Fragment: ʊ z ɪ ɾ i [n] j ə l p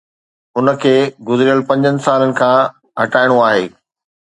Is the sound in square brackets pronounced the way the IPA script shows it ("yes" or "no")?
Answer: no